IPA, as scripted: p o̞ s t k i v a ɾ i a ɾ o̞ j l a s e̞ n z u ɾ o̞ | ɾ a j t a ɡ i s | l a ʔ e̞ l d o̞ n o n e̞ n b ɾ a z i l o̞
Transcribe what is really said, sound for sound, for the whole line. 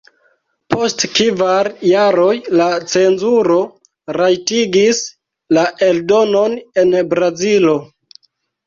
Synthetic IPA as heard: p o̞ s t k i v a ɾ j a ɾ o̞ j l a t͡s e̞ n z u ɾ o̞ | ɾ a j t i ɡ i s | l a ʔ e̞ l d o̞ n o n e̞ n b ɾ a z i l o̞